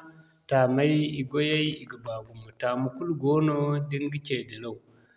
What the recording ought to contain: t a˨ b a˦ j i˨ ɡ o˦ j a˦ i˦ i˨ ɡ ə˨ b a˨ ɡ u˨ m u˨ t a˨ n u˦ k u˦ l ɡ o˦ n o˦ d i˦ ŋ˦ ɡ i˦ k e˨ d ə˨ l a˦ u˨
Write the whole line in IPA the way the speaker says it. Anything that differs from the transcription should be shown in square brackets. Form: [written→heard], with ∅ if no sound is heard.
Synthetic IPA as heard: t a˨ [b→m] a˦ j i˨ ɡ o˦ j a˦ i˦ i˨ ɡ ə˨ b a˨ ɡ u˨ m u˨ t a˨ [n→m] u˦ k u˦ l ɡ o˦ n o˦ d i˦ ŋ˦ ɡ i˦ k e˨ d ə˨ l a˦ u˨